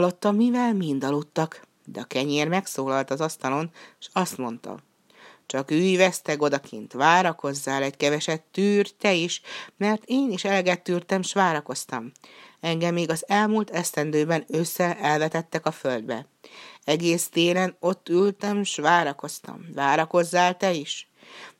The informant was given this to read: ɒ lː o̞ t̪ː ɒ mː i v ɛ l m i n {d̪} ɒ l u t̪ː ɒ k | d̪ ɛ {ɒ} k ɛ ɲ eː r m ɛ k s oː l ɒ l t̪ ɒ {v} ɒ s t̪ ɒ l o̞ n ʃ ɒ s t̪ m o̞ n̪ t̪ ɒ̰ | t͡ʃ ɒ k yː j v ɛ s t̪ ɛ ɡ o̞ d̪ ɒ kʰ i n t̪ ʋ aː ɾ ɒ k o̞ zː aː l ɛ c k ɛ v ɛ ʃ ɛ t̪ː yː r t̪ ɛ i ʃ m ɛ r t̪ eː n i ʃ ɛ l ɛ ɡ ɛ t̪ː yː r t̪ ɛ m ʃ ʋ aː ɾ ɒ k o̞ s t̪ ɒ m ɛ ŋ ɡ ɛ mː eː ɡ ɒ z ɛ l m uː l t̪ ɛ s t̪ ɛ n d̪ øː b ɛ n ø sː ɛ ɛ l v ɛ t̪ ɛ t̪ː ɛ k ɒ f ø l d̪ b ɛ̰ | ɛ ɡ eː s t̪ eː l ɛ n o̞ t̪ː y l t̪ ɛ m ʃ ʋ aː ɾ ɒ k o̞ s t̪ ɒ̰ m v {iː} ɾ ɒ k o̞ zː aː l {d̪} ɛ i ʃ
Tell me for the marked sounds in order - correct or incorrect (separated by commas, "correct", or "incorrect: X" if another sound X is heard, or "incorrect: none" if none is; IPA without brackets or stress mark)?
correct, correct, incorrect: z, incorrect: aː, incorrect: t̪